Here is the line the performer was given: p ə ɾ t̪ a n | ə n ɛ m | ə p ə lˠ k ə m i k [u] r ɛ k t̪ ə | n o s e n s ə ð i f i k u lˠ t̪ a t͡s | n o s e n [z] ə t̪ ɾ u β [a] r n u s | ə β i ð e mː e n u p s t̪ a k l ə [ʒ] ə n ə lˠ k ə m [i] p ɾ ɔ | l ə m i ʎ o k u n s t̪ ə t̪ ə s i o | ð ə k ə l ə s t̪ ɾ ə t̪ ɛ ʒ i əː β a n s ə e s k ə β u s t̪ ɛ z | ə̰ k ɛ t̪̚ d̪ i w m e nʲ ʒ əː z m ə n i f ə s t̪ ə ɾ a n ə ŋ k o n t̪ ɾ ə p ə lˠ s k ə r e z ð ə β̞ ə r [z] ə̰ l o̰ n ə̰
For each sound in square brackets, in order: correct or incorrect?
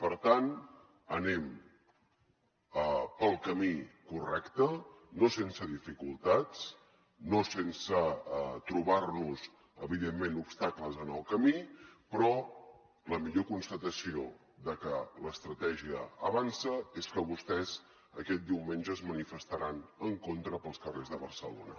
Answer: correct, incorrect, correct, incorrect, correct, incorrect

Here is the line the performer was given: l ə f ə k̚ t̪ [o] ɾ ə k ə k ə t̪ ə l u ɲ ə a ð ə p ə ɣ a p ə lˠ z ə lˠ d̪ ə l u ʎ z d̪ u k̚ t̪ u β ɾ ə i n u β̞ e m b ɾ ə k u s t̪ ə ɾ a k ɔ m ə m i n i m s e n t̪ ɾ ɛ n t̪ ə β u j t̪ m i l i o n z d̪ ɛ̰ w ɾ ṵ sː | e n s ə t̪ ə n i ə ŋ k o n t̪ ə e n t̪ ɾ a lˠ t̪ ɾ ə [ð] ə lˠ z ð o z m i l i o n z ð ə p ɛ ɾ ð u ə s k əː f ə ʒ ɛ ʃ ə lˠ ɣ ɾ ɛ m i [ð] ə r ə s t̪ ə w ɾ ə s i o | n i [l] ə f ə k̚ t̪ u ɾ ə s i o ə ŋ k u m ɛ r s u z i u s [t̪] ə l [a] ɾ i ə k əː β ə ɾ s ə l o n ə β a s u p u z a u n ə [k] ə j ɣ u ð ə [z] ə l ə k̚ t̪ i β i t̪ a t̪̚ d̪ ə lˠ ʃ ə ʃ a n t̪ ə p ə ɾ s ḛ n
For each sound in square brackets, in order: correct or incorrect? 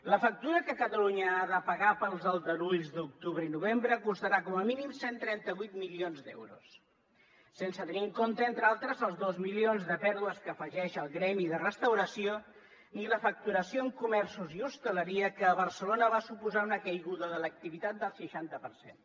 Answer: incorrect, incorrect, correct, correct, correct, incorrect, correct, incorrect

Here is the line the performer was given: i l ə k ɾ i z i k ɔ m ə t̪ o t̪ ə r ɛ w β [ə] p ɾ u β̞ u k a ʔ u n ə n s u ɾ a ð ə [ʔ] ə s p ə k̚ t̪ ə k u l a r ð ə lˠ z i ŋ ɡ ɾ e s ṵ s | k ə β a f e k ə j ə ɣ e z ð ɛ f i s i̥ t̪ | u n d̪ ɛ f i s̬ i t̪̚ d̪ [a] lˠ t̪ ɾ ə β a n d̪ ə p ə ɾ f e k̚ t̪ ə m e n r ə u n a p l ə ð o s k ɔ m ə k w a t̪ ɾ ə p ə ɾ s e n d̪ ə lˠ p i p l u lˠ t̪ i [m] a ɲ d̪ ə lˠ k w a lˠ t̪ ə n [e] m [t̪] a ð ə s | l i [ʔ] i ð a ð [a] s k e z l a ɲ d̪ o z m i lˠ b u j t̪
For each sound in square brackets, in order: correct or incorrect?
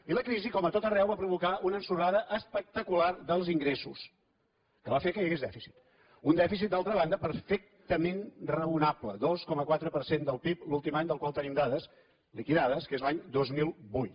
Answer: incorrect, correct, correct, correct, incorrect, incorrect, incorrect, incorrect

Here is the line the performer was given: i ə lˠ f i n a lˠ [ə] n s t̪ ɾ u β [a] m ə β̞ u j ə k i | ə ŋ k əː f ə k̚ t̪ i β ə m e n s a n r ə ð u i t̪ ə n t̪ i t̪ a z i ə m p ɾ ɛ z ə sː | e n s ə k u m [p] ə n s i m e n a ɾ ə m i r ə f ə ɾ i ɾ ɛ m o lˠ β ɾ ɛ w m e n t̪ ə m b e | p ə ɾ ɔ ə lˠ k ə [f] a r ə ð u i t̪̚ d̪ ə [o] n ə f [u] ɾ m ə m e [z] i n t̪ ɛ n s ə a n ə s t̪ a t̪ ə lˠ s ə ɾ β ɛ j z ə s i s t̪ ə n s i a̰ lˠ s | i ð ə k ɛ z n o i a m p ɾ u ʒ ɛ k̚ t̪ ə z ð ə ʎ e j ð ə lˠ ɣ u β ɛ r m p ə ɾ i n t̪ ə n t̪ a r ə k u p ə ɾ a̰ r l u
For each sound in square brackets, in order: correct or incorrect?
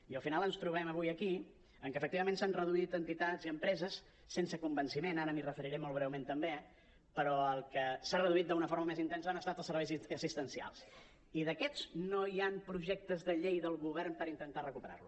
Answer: correct, incorrect, incorrect, incorrect, incorrect, incorrect, correct

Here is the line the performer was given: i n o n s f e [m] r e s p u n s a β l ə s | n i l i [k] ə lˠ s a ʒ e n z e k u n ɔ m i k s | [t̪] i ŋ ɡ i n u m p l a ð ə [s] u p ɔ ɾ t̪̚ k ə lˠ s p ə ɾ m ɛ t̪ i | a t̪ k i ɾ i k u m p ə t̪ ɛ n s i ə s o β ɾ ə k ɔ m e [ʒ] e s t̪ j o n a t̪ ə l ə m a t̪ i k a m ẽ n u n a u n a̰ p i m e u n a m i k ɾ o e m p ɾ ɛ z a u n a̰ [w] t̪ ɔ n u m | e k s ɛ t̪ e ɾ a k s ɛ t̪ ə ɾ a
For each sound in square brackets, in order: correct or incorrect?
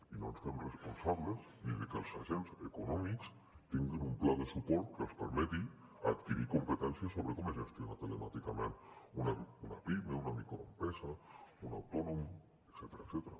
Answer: correct, correct, correct, correct, correct, correct

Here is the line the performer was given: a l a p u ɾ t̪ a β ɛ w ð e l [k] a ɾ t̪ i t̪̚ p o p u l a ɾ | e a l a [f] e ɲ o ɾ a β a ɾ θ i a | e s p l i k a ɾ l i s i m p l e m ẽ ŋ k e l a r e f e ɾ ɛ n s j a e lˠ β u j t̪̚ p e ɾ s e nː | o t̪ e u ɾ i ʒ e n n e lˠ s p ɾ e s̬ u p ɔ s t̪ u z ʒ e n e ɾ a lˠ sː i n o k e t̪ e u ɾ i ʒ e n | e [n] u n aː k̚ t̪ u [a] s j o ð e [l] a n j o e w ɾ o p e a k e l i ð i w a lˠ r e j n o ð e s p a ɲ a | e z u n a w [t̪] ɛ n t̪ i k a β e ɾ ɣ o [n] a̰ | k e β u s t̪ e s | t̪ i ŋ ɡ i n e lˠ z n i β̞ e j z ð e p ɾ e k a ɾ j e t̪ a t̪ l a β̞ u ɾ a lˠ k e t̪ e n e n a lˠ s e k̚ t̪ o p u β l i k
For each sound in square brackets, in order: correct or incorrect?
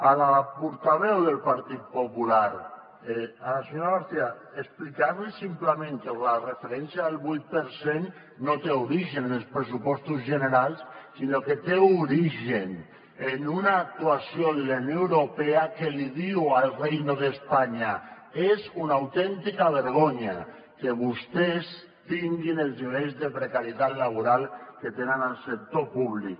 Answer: incorrect, incorrect, correct, correct, correct, correct, incorrect

